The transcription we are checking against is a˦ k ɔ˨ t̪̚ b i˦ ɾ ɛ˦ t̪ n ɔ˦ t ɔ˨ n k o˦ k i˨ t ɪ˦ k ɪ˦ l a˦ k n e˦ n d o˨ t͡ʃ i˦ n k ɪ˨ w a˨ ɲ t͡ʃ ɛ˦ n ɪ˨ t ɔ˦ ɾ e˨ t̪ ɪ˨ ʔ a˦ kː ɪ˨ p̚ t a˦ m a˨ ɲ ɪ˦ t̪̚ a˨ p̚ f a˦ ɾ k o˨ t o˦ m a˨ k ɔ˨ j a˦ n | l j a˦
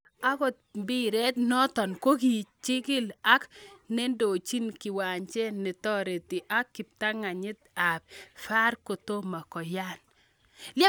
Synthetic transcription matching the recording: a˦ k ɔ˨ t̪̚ b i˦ ɾ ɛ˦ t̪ n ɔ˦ t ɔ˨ n k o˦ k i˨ t͡ʃ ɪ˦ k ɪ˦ l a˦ k n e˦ n d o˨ t͡ʃ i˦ n k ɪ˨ w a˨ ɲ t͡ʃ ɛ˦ n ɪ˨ t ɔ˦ ɾ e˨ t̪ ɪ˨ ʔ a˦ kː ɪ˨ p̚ t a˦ ŋ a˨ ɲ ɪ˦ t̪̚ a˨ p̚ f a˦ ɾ k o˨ t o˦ m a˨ k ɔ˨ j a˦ n | l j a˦